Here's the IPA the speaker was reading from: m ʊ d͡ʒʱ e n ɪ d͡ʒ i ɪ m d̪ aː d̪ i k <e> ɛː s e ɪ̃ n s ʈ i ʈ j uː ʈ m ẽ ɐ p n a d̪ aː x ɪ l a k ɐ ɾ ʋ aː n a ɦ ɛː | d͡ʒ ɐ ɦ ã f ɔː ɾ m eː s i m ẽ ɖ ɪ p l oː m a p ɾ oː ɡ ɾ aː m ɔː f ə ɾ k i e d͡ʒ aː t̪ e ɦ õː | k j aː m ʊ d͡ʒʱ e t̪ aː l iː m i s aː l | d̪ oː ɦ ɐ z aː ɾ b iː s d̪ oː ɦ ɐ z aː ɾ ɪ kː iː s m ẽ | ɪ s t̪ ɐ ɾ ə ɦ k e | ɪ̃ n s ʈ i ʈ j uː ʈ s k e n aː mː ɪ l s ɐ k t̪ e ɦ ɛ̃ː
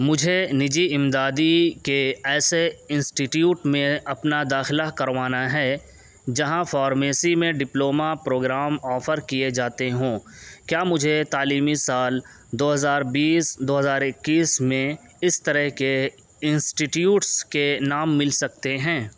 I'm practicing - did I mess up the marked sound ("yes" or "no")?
no